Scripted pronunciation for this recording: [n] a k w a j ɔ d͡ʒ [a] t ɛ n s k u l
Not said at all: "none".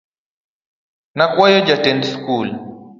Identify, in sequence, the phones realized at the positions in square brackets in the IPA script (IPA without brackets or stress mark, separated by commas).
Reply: n, a